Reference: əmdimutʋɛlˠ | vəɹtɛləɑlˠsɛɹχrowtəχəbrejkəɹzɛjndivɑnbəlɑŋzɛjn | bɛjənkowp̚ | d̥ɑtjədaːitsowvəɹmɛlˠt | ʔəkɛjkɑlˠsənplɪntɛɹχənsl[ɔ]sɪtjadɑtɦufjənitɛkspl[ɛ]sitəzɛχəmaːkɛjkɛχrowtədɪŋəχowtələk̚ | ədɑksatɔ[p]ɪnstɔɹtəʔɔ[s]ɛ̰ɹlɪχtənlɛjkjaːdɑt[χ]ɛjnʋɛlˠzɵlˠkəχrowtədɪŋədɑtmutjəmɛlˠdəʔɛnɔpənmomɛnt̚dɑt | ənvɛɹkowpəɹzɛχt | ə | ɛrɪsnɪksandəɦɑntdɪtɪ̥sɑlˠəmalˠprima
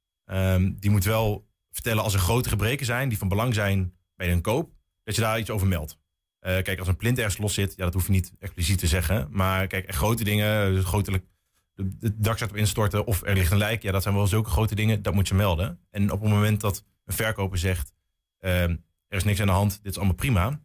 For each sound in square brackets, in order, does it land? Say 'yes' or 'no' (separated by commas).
yes, no, yes, no, no